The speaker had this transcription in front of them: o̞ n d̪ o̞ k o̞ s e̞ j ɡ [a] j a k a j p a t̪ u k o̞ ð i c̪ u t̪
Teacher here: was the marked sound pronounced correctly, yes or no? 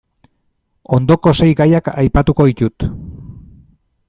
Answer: yes